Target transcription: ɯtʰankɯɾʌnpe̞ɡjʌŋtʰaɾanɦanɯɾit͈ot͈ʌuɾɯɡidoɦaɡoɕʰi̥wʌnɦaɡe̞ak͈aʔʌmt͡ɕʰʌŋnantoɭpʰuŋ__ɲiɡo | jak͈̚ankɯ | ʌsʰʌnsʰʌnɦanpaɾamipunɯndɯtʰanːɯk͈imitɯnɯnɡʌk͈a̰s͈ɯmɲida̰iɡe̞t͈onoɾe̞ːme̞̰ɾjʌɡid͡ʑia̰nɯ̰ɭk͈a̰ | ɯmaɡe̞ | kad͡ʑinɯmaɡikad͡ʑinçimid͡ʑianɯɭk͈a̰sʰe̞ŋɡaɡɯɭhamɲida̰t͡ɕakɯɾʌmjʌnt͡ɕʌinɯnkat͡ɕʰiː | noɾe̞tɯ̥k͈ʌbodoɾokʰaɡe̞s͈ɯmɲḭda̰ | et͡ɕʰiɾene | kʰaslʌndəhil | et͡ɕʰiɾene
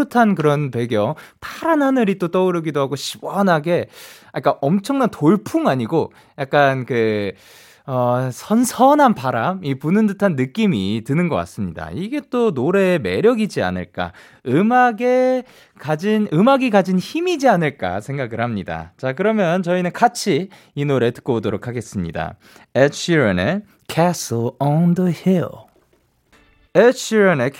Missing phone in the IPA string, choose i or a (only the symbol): a